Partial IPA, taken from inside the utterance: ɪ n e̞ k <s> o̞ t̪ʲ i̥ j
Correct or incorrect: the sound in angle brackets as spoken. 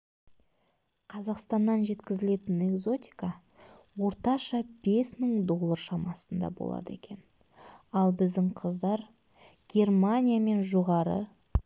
incorrect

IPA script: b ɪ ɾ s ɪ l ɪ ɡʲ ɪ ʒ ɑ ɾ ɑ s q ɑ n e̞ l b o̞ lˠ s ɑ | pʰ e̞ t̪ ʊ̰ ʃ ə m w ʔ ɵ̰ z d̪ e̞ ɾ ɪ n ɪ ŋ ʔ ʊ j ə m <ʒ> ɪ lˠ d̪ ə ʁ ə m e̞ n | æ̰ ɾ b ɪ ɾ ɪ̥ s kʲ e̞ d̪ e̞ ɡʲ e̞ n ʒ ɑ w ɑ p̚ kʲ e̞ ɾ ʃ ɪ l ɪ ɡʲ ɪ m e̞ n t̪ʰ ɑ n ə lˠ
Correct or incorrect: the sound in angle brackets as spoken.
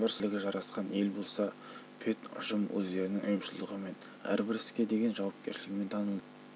incorrect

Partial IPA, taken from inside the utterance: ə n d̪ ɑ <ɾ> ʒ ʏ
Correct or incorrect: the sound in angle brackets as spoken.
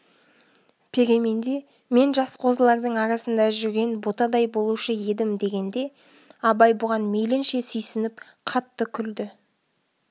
incorrect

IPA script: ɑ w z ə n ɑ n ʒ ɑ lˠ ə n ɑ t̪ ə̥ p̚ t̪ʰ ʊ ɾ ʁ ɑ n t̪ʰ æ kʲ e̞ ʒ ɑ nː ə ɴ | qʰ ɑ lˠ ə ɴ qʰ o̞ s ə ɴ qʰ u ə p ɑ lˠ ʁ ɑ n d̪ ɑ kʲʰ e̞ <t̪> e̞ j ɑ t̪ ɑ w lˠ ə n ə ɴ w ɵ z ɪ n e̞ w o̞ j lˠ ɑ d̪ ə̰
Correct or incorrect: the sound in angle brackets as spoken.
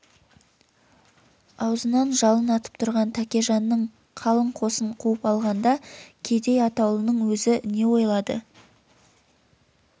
incorrect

